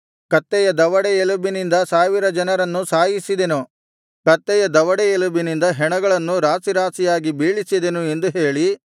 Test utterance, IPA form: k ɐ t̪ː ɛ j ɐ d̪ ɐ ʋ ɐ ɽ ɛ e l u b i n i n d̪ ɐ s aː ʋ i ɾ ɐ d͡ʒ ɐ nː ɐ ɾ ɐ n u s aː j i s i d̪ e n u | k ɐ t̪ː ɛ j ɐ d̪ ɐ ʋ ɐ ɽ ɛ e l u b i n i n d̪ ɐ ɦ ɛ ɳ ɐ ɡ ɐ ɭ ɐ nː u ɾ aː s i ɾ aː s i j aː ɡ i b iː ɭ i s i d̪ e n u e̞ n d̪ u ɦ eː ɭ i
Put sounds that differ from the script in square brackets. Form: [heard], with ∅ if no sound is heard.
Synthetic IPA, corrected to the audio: k ɐ t̪ː ɛ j ɐ d̪ ɐ ʋ ɐ ɽ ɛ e l u b i n i n d̪ ɐ s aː ʋ i ɾ ɐ d͡ʒ ɐ [n] ɐ ɾ ɐ [nː] u s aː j i s i d̪ e n u | k ɐ t̪ː ɛ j ɐ d̪ ɐ ʋ ɐ ɽ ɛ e l u b i n i n d̪ ɐ ɦ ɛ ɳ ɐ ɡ ɐ ɭ ɐ nː u ɾ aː s i ɾ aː s i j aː ɡ i b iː ɭ i s i d̪ e n u e̞ n d̪ u ɦ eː ɭ i